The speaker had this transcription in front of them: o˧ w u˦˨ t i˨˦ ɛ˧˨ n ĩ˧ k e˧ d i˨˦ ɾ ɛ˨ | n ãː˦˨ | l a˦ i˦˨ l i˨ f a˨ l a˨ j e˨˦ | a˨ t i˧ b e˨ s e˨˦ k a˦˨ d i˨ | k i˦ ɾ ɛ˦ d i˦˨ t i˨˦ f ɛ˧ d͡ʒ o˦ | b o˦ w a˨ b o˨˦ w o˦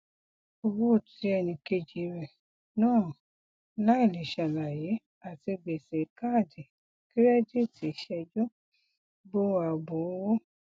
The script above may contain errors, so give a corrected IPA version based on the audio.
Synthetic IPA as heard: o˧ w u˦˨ t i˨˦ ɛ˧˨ n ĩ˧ k e˧ d͡ʒ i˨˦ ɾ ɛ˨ | n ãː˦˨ | l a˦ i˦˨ l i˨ ʃ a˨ l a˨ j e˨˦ | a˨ t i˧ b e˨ s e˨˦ k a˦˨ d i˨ | k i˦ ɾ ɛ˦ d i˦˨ t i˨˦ ʃ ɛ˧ d͡ʒ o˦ | b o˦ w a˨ b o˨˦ w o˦